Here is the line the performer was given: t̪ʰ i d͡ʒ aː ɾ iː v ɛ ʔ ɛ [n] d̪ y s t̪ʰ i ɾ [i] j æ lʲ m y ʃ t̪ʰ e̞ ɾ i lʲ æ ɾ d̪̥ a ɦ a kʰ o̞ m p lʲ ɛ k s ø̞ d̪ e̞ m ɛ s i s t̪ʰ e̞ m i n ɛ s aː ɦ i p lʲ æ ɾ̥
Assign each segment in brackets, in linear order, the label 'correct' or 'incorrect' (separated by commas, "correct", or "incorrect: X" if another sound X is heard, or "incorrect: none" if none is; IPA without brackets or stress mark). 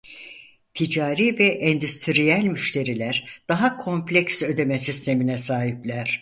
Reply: correct, correct